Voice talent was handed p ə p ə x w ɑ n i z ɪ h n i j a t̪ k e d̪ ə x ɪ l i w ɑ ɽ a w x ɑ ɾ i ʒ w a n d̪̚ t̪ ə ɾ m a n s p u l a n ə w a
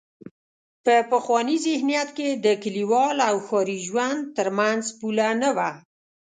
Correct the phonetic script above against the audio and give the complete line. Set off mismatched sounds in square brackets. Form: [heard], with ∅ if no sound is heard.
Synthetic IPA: p ə p ə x w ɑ n i z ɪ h n i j a t̪ k e d̪ ə [k] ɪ l i w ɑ [l] a w x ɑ ɾ i ʒ w a n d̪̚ t̪ ə ɾ m a n [z] p u l a n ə w a